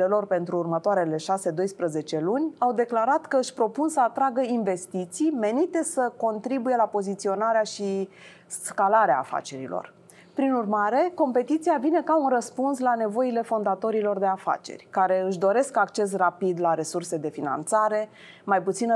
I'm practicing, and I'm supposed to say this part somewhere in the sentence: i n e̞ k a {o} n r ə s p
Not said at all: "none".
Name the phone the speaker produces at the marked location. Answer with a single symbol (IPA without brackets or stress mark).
u